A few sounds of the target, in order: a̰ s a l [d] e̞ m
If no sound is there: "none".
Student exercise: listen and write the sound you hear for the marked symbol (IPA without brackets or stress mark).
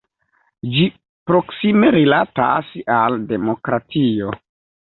d